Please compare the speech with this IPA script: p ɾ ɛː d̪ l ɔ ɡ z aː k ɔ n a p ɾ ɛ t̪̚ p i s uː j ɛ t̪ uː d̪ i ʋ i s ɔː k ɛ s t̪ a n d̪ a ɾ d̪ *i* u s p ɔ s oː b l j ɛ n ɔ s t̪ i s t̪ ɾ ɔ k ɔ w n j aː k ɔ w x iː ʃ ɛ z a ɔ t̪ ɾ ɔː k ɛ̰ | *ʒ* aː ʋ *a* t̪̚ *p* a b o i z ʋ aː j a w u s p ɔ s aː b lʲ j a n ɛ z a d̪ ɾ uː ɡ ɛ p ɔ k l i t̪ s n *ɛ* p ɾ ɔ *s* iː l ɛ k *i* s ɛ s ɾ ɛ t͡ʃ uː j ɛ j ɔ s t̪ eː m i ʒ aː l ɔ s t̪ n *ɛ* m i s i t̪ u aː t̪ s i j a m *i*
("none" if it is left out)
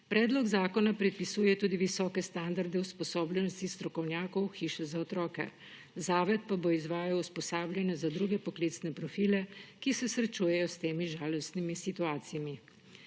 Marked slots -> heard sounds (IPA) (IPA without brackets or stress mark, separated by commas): ɛ, z, ɛ, p, ɛ, f, i, i, i